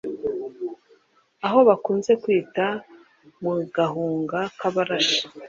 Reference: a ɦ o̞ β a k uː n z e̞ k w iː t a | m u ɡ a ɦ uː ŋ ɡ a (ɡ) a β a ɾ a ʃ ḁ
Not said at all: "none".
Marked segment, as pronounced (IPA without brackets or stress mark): k